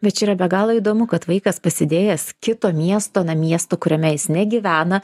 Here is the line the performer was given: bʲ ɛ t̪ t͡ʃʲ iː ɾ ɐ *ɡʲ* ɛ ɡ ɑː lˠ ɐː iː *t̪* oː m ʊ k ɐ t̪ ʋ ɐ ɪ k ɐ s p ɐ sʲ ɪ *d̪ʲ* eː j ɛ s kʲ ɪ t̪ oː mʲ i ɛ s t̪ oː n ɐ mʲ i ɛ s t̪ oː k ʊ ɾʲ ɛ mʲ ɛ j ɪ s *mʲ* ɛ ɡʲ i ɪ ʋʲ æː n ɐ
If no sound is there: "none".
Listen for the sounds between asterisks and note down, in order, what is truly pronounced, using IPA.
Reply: bʲ, d̪, d̪ʲ, nʲ

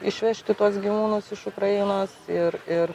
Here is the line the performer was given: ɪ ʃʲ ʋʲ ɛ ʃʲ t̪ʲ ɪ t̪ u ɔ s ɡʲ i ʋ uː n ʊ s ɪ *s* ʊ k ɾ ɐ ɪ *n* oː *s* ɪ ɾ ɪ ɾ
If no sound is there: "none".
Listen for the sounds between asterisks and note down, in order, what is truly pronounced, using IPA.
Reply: ʃ, n, s

